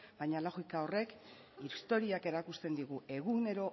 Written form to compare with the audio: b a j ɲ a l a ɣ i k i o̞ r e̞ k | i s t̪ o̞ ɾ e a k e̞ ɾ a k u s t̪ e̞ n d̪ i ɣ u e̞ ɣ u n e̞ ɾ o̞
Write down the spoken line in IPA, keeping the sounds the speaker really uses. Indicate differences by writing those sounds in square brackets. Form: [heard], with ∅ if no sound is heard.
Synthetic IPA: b a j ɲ a l a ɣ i k [a] o̞ r e̞ k | i s t̪ o̞ ɾ [i] a k e̞ ɾ a k u s t̪ e̞ n d̪ i ɣ u e̞ ɣ u n e̞ ɾ o̞